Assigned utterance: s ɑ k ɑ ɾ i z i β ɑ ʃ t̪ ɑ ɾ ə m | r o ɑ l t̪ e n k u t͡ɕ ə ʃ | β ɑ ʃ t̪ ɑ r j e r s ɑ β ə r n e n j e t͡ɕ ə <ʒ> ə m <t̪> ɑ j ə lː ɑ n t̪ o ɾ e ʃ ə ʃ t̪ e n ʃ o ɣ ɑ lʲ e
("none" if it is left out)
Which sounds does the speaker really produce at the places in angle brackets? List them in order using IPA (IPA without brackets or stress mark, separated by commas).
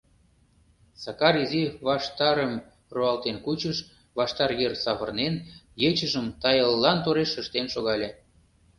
ʒ, t̪